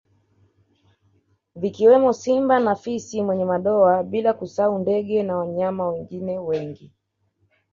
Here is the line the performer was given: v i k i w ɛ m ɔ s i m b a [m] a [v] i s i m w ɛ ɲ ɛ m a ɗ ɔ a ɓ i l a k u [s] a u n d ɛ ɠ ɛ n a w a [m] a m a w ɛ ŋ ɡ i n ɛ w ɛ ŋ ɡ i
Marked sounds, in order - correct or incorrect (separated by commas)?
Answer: incorrect, incorrect, correct, incorrect